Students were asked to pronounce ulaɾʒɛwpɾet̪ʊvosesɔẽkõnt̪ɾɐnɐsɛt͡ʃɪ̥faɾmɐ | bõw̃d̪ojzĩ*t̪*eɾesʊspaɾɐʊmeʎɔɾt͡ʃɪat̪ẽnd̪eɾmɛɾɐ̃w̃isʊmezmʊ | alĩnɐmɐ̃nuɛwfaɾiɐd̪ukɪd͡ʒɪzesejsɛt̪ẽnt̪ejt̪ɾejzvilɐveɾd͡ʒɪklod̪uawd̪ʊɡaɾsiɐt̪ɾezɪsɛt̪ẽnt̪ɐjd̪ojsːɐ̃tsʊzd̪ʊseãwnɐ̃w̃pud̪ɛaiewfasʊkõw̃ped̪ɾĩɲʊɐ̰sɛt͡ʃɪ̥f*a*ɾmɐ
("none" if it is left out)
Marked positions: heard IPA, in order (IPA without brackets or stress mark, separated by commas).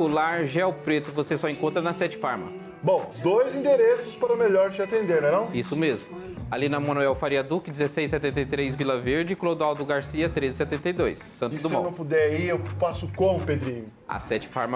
d̪, a